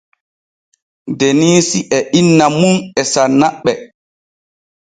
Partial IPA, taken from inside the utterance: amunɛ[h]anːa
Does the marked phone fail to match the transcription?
yes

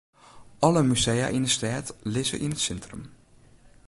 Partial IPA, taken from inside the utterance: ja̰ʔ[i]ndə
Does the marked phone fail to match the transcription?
no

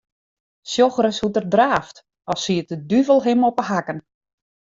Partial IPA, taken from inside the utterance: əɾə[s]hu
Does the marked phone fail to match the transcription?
no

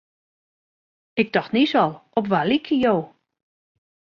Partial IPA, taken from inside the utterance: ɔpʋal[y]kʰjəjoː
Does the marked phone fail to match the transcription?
yes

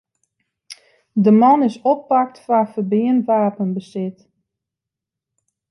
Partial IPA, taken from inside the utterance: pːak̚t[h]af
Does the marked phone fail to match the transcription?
yes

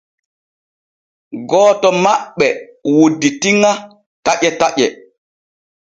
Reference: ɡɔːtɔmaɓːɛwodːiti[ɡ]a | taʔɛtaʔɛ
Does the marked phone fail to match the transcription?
yes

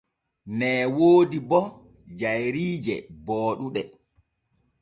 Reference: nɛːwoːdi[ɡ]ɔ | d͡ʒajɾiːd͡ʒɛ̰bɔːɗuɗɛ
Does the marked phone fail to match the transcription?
yes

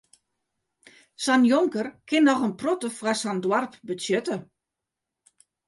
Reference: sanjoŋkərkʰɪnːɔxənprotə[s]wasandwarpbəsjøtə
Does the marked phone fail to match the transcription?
yes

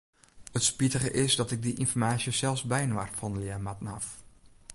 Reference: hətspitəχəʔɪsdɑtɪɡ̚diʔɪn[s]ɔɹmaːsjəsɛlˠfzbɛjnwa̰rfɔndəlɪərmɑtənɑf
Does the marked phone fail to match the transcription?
yes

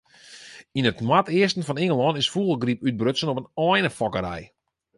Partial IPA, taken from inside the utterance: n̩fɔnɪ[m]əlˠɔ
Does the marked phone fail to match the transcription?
yes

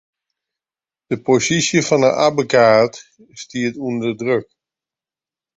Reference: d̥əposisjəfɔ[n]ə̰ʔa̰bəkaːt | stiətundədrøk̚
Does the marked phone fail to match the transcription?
no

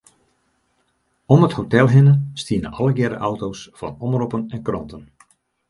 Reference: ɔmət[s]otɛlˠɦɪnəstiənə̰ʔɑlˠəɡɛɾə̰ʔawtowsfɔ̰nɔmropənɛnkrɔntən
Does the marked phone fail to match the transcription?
yes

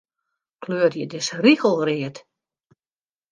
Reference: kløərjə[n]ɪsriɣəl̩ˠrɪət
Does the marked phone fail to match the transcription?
yes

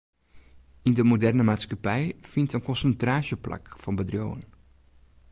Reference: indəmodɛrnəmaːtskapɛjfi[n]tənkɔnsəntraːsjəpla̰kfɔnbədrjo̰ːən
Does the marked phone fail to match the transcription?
no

